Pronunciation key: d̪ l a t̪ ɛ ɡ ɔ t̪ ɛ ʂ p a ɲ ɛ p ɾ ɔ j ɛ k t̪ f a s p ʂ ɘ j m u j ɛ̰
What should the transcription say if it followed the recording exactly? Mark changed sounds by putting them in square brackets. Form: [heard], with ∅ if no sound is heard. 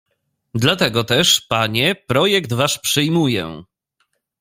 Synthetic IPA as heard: d̪ l a t̪ ɛ ɡ ɔ t̪ ɛ ʂ p a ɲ ɛ p ɾ ɔ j ɛ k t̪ [v] a [ʂ] p ʂ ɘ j m u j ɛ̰